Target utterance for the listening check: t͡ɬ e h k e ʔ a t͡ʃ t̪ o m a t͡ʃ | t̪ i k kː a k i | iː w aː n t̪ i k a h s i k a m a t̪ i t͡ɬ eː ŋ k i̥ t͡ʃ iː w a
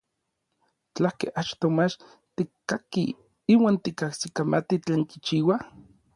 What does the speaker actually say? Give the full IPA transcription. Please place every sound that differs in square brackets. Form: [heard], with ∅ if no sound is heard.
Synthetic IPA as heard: t͡ɬ [a] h k e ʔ a t͡ʃ t̪ o m a t͡ʃ | t̪ i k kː a k i | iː w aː n t̪ i k a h s i k a m a t̪ i t͡ɬ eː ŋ k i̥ t͡ʃ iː w a